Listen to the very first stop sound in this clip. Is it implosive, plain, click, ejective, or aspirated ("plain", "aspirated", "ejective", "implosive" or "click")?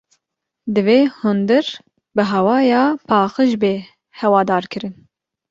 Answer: plain